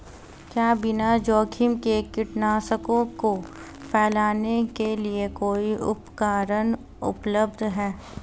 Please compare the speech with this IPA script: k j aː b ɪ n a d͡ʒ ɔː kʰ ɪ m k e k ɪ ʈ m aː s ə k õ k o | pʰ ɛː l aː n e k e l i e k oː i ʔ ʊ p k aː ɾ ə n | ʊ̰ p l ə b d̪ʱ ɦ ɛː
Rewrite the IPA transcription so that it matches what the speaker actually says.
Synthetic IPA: k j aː b ɪ n a d͡ʒ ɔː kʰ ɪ m k e k ɪ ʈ n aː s ə k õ k o | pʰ ɛː l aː n e k e l i e k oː i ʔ ʊ p k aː ɾ ə n | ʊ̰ p l ə b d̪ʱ ɦ ɛː